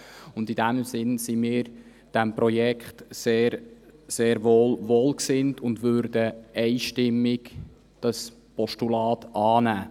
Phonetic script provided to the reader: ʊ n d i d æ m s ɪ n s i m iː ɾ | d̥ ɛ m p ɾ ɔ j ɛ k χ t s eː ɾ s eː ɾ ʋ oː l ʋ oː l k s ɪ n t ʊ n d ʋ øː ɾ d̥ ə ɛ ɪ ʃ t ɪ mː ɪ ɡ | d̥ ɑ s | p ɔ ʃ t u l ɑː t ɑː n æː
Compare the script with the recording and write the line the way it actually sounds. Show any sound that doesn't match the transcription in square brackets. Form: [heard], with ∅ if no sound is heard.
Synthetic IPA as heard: ʊ n d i d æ m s ɪ n s i m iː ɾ | d̥ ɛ m p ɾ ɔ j ɛ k χ t s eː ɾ s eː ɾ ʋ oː l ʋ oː l k s ɪ n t ʊ n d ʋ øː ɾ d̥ ə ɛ ɪ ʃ t ɪ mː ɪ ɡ | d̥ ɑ s | p ɔ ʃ t u l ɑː t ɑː n æː

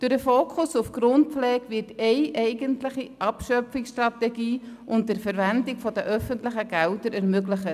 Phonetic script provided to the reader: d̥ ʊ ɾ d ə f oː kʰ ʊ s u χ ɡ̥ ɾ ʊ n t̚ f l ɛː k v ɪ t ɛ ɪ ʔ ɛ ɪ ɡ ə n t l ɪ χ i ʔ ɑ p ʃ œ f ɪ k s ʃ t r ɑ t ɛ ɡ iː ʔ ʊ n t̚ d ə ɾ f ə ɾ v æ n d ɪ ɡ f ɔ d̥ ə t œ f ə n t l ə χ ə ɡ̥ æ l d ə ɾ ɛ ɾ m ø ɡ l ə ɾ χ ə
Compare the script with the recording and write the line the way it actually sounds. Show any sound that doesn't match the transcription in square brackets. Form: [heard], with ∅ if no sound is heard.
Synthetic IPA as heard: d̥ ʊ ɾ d ə f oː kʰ ʊ s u [f] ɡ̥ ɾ ʊ n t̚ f l ɛː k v ɪ t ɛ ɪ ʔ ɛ ɪ ɡ ə n t l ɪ χ i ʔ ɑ p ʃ œ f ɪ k s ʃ t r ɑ t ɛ ɡ iː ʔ ʊ n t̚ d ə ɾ f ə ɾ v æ n d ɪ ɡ f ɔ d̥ ə [ʔ] œ f ə n t l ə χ ə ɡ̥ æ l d ə ɾ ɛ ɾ m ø ɡ l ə [∅] χ ə

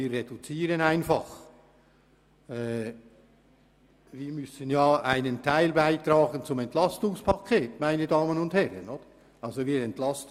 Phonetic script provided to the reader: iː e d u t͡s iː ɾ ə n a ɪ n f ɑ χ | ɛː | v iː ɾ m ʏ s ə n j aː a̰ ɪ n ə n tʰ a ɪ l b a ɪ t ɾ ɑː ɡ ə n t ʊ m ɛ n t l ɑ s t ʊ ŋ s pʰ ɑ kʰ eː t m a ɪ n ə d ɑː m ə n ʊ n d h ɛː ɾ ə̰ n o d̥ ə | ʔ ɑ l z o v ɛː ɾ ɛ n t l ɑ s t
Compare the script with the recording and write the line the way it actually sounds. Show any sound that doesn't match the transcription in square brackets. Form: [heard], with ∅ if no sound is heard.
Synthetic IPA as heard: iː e d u t͡s iː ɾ ə n a ɪ n f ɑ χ | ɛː | v iː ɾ m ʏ s ə n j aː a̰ ɪ n ə n tʰ a ɪ l b a ɪ t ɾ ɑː ɡ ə n [t͡s] ʊ m ɛ n t l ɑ s t ʊ ŋ s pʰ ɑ kʰ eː t m a ɪ n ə d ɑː m ə n ʊ n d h [ɛ] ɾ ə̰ n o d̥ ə | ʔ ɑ l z o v [iː] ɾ ɛ n t l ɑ s t

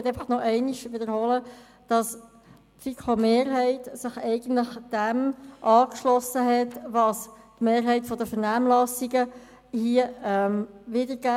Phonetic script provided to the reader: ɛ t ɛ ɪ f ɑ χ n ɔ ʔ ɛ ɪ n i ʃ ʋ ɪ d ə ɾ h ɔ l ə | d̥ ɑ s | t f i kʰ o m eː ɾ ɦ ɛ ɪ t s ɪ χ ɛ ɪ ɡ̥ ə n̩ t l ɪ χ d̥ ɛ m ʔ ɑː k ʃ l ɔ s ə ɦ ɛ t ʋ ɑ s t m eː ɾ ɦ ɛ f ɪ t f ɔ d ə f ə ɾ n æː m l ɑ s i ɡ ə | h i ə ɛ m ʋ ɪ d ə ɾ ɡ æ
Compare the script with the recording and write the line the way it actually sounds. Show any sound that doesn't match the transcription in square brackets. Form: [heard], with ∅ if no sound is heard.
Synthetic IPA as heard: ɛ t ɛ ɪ f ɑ χ n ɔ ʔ ɛ ɪ n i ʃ ʋ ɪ d ə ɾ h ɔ l ə | d̥ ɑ s | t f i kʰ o m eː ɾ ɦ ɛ ɪ t s ɪ χ ɛ ɪ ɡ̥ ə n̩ t l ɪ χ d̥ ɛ m ʔ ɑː k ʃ l ɔ s ə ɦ ɛ t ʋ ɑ s t m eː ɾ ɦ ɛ [∅] ɪ t f ɔ d ə f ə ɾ n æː m l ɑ s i ɡ ə | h i ə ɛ m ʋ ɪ d ə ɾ ɡ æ

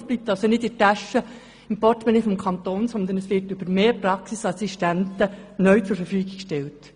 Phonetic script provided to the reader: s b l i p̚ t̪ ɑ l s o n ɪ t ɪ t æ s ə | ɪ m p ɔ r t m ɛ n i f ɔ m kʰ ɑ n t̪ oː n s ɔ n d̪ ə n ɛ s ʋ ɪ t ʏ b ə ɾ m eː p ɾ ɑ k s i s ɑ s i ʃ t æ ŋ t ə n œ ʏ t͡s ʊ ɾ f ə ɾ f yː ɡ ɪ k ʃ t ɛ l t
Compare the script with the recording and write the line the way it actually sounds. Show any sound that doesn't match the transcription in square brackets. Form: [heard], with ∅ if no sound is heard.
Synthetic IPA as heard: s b l i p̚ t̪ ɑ l s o n ɪ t ɪ t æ [ʃ] ə | ɪ m p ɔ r t m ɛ n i f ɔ m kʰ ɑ n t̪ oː n s ɔ n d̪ ə n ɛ s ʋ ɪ t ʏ b ə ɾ m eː p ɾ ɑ k s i s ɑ s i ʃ t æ [n] t ə n œ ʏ t͡s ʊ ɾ f ə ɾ f yː ɡ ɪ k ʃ t ɛ l t

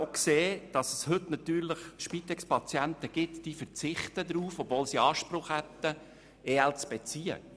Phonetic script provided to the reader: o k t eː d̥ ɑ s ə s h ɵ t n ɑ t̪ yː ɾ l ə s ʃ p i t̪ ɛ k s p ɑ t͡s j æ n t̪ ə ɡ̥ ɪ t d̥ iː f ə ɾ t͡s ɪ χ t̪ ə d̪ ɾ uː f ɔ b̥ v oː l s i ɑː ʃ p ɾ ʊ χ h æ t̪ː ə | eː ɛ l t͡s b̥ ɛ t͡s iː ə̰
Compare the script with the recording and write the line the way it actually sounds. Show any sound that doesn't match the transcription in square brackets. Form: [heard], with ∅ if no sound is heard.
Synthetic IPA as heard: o k [s] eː d̥ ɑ s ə s h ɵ t n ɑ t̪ yː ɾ l ə [χ] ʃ p i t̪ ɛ k s p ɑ t͡s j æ n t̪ ə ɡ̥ ɪ t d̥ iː f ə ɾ t͡s ɪ χ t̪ ə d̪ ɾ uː f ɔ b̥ v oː l s i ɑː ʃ p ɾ ʊ χ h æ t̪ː ə | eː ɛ l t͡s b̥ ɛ t͡s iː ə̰

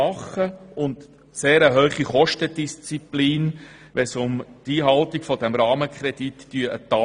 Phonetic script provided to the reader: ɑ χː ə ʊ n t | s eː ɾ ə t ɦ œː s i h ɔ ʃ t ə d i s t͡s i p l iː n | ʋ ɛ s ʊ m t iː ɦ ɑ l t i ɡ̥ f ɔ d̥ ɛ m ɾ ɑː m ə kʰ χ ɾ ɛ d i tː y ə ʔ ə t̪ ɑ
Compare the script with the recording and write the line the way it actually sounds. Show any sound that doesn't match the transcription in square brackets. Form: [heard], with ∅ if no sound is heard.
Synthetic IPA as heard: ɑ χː ə ʊ n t | s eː ɾ ə [∅] ɦ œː [χ] i [χ] ɔ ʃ t ə d i s t͡s i p l iː n | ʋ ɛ s ʊ m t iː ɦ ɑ l t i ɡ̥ f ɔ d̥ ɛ m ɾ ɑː m ə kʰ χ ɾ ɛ d i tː y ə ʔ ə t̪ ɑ

